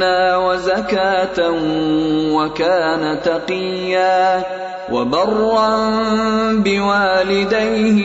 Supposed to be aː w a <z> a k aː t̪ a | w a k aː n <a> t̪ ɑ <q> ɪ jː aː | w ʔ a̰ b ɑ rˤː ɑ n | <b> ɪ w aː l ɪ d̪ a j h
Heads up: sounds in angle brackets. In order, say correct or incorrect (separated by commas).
correct, correct, correct, correct